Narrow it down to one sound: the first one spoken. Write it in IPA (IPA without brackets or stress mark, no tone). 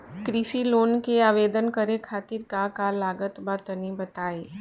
k